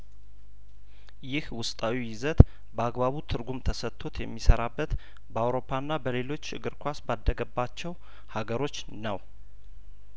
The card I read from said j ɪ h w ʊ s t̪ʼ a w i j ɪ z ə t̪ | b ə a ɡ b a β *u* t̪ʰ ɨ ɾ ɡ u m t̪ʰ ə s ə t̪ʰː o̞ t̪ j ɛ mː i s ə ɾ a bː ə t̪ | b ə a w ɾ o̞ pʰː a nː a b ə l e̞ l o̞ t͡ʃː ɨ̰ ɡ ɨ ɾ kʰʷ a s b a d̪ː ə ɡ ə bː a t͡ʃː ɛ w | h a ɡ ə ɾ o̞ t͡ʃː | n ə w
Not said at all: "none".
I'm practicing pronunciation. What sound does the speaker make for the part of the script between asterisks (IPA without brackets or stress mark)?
u